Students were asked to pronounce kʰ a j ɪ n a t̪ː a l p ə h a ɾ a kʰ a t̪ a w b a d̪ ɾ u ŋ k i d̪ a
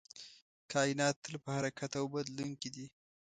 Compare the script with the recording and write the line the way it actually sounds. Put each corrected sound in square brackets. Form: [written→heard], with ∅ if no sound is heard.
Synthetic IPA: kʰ [a→ɑ] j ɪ n [a→ɑ] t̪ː [a→ə] l p ə h a ɾ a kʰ a t̪ a w b a d̪ [ɾ→l] u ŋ k i d̪ [a→i]

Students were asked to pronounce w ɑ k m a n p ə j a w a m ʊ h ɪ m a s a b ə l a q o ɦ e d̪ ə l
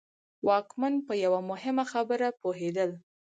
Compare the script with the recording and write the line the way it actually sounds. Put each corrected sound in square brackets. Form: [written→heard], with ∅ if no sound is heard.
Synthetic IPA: w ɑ k m a n p ə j a w a m ʊ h ɪ m a [s→x] a b ə [l→ɾ] a [q→p] o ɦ e d̪ ə l

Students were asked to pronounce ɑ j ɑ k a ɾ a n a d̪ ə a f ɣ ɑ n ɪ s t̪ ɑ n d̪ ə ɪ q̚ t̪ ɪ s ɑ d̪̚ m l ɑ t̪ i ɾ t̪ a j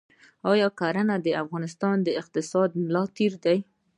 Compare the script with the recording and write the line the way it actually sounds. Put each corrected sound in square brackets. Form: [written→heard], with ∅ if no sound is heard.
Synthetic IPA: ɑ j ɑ k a ɾ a n a d̪ ə a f ɣ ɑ n ɪ s t̪ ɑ n d̪ ə ɪ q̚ t̪ ɪ s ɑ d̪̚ m l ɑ t̪ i ɾ [t̪→d̪] a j

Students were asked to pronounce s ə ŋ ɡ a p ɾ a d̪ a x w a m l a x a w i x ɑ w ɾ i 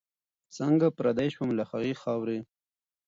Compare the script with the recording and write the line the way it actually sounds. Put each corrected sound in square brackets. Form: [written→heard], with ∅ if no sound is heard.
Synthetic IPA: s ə ŋ ɡ a p ɾ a d̪ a [x→ʃ] w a m l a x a [w→ɣ] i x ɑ w ɾ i

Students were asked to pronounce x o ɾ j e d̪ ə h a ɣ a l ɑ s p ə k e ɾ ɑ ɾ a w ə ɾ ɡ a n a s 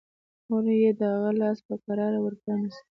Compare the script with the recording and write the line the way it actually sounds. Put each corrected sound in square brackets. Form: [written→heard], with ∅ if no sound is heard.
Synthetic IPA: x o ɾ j e d̪ ə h a ɣ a l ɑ s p ə k [e→a] ɾ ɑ ɾ a w ə ɾ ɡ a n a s

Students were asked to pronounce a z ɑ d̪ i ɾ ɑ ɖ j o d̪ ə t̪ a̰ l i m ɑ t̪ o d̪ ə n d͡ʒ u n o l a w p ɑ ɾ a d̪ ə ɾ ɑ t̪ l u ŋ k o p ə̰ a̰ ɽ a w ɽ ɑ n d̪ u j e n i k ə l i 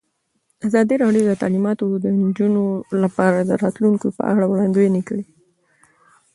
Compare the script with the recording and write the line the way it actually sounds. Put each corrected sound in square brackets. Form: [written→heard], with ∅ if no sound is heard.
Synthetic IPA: a z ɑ d̪ i ɾ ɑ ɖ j o d̪ ə t̪ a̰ l i m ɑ t̪ o d̪ ə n d͡ʒ u n o l a [w→∅] p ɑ ɾ a d̪ ə ɾ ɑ t̪ l u ŋ k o p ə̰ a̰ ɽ a w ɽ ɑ n d̪ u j e n i k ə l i

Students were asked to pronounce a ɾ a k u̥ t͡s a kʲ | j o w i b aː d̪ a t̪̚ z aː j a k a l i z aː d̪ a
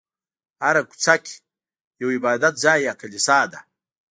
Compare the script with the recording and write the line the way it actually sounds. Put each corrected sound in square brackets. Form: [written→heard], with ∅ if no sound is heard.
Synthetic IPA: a ɾ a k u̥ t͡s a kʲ | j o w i b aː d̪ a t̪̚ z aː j a k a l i [z→s] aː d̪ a

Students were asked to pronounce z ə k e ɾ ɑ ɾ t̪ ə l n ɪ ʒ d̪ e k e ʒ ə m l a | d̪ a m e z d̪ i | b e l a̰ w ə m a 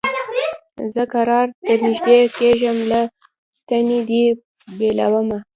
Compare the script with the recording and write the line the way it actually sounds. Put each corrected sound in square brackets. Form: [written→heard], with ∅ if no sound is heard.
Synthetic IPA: z ə k [e→a] ɾ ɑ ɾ t̪ ə [l→ɾ] n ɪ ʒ d̪ e k e ʒ ə m l a | [d̪→t̪] a [m→n] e [z→∅] d̪ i | b e l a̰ w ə m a

